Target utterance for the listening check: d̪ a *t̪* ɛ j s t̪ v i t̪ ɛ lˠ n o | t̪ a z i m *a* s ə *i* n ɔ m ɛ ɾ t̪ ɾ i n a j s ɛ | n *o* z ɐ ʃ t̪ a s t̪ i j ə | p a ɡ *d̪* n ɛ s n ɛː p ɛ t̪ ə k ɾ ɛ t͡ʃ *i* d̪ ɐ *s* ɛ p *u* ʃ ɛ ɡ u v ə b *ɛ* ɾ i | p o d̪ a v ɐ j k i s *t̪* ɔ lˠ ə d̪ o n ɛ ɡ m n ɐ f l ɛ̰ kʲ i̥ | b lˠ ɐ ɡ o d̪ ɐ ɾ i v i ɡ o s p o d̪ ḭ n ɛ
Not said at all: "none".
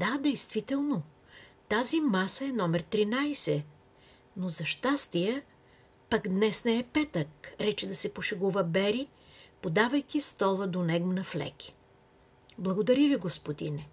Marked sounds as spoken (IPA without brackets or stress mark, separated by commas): d̪, a, ɛ, o, d̪, ɛ, s, o, ɛ, t̪